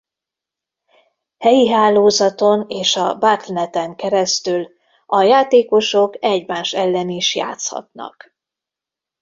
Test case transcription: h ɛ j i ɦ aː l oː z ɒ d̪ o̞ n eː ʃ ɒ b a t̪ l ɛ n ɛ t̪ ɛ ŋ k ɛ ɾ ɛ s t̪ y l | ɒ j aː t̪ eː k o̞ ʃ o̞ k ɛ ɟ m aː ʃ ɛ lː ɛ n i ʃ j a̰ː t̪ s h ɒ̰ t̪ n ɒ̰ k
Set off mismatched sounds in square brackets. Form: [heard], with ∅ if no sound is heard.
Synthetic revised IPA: h ɛ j i ɦ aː l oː z ɒ [t̪] o̞ n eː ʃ ɒ b a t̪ l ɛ n ɛ t̪ ɛ ŋ k ɛ ɾ ɛ s t̪ y l | ɒ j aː t̪ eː k o̞ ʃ o̞ k ɛ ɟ m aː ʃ ɛ lː ɛ n i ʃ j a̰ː t̪ s h ɒ̰ t̪ n ɒ̰ k